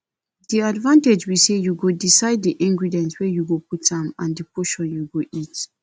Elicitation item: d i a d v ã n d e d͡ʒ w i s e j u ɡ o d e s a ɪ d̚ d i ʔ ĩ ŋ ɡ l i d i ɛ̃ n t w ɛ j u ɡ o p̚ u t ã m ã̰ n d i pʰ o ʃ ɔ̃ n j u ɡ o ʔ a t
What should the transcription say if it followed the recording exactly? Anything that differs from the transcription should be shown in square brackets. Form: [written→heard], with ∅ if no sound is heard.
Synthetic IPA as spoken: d i a d v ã n [d→t] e d͡ʒ w i s e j u ɡ o d [e→i] s a ɪ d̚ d i ʔ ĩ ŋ ɡ [l→ɹ] i d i ɛ̃ n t w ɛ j u ɡ o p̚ u t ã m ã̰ n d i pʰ o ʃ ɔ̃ n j u ɡ o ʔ [a→i] t